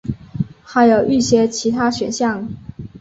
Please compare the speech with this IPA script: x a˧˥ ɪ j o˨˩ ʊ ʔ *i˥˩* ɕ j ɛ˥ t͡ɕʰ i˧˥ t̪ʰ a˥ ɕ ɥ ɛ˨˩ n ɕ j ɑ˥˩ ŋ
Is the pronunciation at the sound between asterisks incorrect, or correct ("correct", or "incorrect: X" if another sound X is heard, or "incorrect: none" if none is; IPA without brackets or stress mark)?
incorrect: y˥˩